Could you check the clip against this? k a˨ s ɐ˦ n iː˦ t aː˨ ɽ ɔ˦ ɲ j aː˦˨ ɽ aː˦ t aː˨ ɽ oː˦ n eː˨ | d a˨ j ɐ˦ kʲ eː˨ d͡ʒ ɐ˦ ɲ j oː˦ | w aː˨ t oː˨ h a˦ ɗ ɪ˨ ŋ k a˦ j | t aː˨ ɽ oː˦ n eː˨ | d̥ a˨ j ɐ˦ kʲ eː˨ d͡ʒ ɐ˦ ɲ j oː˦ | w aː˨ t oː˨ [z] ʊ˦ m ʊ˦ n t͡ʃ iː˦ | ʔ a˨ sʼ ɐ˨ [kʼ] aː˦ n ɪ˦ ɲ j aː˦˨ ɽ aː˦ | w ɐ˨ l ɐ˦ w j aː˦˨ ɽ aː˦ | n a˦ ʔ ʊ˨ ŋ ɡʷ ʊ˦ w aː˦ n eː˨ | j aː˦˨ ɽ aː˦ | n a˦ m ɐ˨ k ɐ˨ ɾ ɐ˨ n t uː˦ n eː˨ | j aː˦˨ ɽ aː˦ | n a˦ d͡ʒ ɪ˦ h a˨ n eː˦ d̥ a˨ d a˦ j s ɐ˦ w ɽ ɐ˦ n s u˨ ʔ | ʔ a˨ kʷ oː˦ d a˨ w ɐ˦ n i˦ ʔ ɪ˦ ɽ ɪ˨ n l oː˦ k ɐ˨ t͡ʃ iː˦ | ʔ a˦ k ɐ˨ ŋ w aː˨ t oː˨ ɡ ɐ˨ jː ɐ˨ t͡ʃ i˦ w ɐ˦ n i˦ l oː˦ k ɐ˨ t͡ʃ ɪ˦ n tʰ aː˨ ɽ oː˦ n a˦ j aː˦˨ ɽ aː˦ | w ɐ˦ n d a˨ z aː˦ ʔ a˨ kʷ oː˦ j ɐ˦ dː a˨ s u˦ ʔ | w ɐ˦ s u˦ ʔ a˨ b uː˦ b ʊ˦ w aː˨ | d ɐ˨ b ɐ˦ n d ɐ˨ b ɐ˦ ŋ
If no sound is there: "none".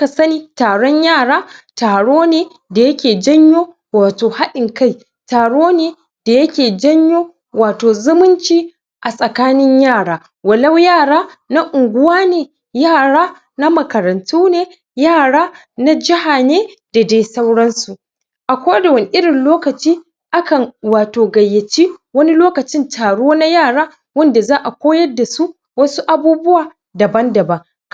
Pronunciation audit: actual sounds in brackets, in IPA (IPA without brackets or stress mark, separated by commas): z, k